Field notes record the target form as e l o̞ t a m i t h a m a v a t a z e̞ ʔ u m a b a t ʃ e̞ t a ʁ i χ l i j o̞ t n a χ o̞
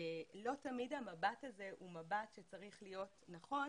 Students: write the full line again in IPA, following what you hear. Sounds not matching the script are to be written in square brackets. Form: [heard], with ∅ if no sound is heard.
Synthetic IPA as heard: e l o̞ t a m i [d] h a m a [b] a t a z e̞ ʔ u m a b a t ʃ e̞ [t͡s] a ʁ i χ l i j o̞ t n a χ o̞

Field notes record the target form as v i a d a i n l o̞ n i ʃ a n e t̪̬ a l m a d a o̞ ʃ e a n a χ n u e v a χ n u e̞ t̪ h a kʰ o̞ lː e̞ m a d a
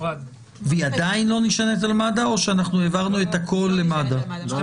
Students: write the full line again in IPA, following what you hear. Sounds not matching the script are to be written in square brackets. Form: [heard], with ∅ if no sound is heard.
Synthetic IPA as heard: v i a d a i n l o̞ n i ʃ a n e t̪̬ a l m a d a o̞ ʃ e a n a χ n u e v a [ʁ] n u e̞ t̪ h a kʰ o̞ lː e̞ m a d a

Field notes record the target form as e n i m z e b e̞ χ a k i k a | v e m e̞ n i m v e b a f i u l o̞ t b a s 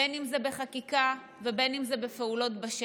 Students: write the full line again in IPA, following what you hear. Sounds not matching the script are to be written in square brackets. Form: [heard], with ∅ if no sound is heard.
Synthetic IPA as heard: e n i m z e b e̞ χ a k i k a | v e [b] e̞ n i m [z] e b [e] f [e] u l o̞ t b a [ʃ]

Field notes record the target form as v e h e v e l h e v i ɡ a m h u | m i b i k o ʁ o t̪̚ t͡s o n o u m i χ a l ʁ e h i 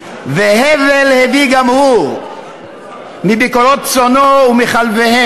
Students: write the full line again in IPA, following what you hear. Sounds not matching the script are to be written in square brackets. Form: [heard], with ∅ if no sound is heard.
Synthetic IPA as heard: v e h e v e l h e v i ɡ a m h u | m i b i k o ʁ o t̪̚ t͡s o n o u m i χ a l [v] e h [e]

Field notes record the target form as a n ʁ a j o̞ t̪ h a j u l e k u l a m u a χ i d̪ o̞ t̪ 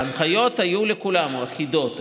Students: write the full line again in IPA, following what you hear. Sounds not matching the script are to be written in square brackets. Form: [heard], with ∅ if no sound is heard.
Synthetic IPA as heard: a n [χ] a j o̞ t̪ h a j u l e k u l a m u a χ i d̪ o̞ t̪

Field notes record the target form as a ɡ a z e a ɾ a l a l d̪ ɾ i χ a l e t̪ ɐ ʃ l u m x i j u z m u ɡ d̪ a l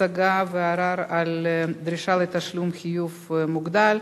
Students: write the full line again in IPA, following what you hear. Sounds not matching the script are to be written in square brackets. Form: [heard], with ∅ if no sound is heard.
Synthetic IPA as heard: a ɡ a [v] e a ɾ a [ɾ] a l d̪ ɾ i [ʃ] a l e t̪ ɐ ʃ l u m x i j u [v] m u ɡ d̪ a l

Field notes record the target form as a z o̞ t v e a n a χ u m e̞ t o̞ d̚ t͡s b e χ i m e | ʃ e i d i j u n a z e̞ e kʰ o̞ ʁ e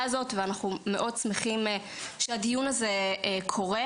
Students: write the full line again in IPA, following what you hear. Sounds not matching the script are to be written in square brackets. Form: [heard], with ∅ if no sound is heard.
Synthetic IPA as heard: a z o̞ t v e a n a χ u m e̞ [ʔ] o̞ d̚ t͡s [m] e χ i m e | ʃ e [a] d i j u n a z e̞ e kʰ o̞ ʁ e

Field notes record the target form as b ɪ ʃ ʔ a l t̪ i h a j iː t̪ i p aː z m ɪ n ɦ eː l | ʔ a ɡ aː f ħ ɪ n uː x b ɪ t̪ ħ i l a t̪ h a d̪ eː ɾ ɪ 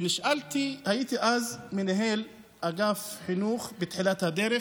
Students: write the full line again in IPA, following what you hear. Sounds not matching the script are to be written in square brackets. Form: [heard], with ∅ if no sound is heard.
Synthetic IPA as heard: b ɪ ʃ ʔ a l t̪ i h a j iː t̪ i [ʔ] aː z m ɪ n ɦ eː l | ʔ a ɡ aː f ħ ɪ n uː x b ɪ t̪ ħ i l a t̪ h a d̪ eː ɾ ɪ

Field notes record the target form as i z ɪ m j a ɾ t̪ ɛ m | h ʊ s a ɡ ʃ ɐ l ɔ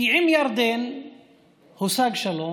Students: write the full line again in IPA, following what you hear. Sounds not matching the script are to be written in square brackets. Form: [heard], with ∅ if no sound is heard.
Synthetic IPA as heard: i [ʕ] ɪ m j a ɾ [d̪] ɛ [n] | h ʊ s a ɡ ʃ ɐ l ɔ

